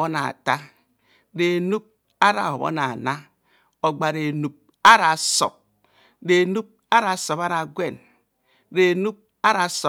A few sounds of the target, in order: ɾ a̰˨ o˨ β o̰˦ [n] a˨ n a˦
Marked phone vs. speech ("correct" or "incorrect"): correct